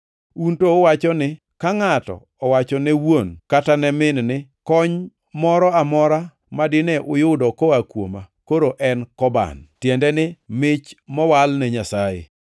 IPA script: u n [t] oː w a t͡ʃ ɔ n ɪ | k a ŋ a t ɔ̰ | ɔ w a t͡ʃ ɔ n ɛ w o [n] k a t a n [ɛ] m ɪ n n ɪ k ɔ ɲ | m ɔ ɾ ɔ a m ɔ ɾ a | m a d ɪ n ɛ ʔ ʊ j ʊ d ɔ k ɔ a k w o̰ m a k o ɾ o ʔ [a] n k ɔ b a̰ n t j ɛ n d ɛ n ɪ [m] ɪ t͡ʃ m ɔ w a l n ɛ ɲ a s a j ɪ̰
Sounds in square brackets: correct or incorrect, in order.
correct, correct, correct, incorrect: ɛ, correct

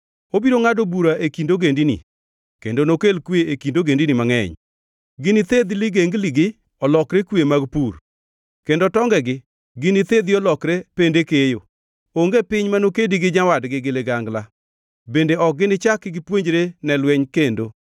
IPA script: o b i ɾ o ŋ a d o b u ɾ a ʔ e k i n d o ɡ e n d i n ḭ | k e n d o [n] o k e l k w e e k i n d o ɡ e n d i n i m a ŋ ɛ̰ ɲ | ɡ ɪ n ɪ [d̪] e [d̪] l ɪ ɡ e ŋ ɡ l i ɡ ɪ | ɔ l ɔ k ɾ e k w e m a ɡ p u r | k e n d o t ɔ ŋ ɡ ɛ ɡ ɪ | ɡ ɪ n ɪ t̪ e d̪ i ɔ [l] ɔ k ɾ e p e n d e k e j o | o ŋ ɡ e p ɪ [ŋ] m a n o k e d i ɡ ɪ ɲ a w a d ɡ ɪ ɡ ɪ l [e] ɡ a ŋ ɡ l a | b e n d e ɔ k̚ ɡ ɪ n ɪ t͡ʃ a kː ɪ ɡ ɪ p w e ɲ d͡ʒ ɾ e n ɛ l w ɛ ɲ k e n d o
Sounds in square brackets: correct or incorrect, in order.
correct, incorrect: t̪, correct, correct, incorrect: ɲ, correct

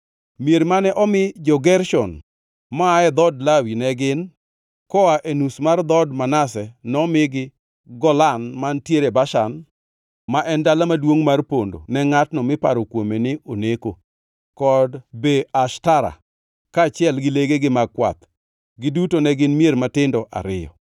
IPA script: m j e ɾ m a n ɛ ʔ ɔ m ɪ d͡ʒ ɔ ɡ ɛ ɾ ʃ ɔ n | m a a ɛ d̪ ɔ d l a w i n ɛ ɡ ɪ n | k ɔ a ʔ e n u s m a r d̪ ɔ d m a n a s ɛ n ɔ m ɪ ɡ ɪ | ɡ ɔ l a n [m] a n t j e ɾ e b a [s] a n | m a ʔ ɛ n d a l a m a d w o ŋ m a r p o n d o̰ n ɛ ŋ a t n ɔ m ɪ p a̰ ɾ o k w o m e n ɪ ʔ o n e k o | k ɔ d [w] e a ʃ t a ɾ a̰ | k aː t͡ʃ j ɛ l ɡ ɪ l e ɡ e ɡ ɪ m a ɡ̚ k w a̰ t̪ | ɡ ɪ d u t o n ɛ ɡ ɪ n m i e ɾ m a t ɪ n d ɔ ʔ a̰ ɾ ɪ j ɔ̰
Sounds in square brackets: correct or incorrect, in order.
correct, incorrect: ʃ, incorrect: b

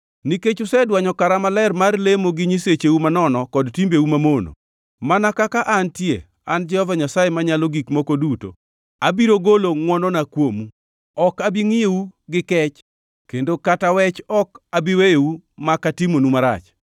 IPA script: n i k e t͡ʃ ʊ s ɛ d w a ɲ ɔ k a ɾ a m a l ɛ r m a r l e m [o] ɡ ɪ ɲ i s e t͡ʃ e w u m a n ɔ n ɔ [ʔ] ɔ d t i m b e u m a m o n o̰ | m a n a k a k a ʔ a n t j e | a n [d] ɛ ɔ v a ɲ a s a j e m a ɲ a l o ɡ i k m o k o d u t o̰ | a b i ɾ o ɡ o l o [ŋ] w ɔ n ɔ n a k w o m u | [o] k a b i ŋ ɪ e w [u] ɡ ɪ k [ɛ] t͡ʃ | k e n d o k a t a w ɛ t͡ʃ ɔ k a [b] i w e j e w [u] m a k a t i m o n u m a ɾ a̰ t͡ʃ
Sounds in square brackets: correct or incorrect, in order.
correct, incorrect: k, incorrect: d͡ʒ, correct, incorrect: ɔ, correct, correct, correct, correct

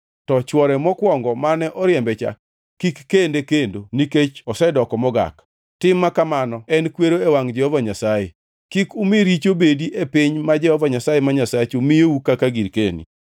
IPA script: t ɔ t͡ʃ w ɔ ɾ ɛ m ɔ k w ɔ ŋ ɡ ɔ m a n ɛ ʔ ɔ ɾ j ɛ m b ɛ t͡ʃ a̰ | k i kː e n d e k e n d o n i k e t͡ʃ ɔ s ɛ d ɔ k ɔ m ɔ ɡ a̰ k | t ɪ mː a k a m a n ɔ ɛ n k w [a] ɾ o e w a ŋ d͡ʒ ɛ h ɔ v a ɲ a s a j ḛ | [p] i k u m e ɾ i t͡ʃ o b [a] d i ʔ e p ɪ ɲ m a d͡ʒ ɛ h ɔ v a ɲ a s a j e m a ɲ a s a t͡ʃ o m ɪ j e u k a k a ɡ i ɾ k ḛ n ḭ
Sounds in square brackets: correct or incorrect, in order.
incorrect: e, incorrect: k, incorrect: e

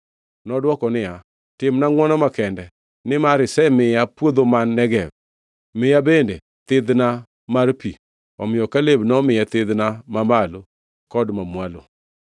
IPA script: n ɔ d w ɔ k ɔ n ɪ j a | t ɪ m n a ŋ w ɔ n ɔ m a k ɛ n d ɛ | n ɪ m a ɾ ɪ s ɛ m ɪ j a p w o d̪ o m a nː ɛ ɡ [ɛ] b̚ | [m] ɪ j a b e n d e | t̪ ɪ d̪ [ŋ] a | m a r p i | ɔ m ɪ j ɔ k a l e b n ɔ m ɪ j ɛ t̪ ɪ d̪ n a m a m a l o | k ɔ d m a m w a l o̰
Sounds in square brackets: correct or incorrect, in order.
correct, correct, incorrect: n

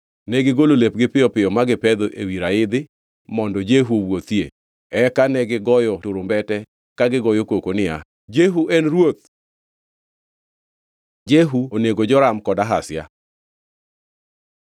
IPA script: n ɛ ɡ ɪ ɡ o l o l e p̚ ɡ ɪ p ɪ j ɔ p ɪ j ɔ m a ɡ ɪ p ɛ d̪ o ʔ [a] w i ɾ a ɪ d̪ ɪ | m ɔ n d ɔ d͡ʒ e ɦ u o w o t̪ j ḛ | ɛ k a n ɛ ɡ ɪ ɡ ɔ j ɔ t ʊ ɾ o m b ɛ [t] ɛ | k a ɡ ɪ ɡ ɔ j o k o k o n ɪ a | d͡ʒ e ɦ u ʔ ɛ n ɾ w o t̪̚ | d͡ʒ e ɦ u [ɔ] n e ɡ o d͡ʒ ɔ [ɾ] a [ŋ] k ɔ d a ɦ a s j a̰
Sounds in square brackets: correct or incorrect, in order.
incorrect: e, correct, incorrect: o, correct, incorrect: m

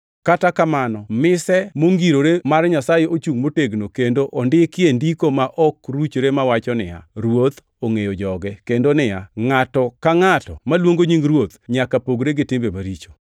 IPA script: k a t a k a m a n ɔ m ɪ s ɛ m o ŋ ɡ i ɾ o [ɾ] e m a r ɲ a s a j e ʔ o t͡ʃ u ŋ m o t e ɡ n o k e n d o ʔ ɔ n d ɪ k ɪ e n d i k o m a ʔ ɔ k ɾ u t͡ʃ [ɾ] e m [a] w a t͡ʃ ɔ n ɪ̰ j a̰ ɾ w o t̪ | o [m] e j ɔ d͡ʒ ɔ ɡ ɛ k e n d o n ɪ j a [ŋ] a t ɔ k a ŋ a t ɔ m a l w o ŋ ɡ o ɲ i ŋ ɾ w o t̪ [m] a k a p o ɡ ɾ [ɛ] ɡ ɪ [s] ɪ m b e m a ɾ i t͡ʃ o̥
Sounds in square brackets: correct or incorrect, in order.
correct, correct, correct, incorrect: ŋ, correct, incorrect: ɲ, incorrect: e, incorrect: t

